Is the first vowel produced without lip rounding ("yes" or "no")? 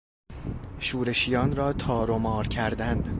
no